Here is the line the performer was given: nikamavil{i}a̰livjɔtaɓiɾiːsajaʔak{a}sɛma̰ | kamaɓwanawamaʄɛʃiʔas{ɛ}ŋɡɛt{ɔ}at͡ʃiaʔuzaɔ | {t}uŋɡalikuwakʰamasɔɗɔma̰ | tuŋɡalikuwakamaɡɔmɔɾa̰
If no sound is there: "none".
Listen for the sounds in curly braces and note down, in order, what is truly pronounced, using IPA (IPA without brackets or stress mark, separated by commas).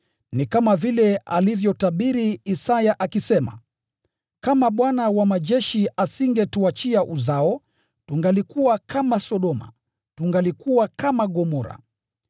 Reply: ɛ, i, i, u, t